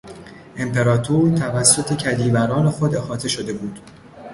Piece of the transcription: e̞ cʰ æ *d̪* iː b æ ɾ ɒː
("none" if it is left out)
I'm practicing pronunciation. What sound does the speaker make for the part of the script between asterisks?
d̪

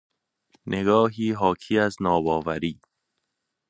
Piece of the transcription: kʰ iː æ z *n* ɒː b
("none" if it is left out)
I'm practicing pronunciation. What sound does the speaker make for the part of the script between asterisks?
n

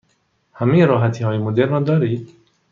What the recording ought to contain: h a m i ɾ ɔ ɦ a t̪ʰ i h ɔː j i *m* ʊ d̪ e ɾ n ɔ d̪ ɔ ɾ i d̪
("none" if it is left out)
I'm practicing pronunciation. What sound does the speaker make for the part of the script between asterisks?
m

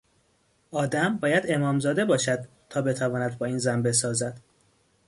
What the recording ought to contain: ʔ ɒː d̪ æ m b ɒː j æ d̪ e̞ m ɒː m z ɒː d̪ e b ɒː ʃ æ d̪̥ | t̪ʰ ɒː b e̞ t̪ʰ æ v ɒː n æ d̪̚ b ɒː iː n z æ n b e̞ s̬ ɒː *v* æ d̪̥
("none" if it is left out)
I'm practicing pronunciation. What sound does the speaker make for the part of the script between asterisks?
z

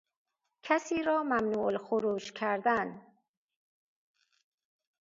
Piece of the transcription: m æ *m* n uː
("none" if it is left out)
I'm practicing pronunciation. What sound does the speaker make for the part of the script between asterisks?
m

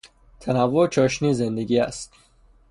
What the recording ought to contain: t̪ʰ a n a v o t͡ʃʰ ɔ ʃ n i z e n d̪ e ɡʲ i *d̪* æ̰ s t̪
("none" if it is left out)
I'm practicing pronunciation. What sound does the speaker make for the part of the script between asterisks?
none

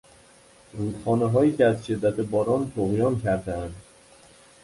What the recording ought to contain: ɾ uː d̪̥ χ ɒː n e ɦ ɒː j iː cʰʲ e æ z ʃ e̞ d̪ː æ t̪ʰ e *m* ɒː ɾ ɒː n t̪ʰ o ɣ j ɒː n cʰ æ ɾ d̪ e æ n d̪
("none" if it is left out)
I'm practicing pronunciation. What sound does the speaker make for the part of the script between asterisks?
b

